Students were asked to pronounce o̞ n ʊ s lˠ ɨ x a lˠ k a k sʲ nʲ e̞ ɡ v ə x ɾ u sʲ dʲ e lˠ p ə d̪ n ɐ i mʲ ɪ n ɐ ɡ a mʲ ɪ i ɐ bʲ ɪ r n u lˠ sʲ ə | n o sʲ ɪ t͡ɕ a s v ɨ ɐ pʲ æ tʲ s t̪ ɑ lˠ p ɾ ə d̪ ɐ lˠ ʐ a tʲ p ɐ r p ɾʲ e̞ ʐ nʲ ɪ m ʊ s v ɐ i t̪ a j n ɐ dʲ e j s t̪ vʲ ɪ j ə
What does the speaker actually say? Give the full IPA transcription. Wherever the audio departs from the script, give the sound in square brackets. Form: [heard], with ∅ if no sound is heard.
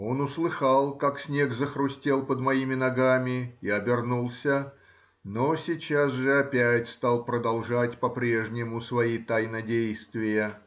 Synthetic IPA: o̞ n ʊ s lˠ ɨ x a lˠ k a k sʲ nʲ e̞ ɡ [z] ə x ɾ [ʊ] sʲ [tʲ] e lˠ p ə d̪ [m] ɐ i mʲ ɪ n ɐ ɡ a mʲ ɪ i ɐ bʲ ɪ r n u lˠ sʲ ə | n o sʲ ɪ t͡ɕ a s [ʐ] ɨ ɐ pʲ æ tʲ s t̪ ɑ lˠ p ɾ ə d̪ ɐ lˠ ʐ a tʲ p ɐ [∅] p ɾʲ e̞ ʐ nʲ ɪ m ʊ s v ɐ i t̪ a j n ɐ dʲ e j s t̪ vʲ ɪ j ə